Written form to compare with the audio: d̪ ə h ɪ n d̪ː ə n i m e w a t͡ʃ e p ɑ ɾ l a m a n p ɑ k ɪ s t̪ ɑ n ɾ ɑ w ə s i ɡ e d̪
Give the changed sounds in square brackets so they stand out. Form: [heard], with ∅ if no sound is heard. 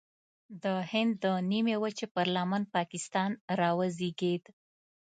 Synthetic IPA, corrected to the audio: d̪ ə h ɪ n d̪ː ə n i m e w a t͡ʃ e p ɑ ɾ l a m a n p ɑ k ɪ s t̪ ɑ n ɾ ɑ w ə [z] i ɡ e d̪